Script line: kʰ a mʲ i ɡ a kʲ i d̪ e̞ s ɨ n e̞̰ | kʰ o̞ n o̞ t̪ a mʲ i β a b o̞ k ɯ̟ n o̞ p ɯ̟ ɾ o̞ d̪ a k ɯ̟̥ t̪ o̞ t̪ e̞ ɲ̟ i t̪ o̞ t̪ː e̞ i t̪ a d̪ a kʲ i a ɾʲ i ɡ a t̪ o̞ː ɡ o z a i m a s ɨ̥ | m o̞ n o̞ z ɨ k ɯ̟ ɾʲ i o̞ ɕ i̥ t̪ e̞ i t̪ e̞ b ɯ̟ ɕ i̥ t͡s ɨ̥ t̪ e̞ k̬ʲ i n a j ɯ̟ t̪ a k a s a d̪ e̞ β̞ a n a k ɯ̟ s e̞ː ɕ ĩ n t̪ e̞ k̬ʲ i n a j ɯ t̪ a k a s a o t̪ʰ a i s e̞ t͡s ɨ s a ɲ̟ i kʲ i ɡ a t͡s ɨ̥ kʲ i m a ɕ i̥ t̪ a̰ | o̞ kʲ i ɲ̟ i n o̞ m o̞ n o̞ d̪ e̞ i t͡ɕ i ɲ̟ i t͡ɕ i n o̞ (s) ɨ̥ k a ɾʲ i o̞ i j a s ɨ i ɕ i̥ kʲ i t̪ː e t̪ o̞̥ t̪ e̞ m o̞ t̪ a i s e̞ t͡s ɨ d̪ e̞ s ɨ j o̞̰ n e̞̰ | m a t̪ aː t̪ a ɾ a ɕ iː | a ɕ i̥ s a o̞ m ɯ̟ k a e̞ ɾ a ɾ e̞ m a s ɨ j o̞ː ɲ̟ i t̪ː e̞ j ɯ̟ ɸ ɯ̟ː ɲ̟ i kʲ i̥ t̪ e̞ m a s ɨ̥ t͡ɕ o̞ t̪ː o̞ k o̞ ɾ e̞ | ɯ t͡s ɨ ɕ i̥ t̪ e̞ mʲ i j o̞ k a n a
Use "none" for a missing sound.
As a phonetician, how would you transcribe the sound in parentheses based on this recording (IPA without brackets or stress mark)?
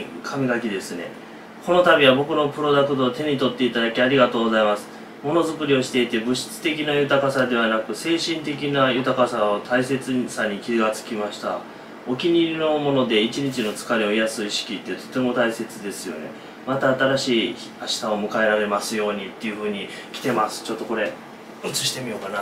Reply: t͡s